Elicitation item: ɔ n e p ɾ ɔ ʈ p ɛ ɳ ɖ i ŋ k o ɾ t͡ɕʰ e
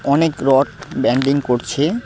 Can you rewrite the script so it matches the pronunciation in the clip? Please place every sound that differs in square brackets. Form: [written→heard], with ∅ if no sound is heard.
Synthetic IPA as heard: ɔ n e [p→k] ɾ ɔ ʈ [p→b] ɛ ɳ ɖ i ŋ k o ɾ t͡ɕʰ e